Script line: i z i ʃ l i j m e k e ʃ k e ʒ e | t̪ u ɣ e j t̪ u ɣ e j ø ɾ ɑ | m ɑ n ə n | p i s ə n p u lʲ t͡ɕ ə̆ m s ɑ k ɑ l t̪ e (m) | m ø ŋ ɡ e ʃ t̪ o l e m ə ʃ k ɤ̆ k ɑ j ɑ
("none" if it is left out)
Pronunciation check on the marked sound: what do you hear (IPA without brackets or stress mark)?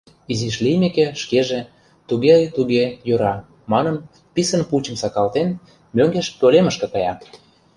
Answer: n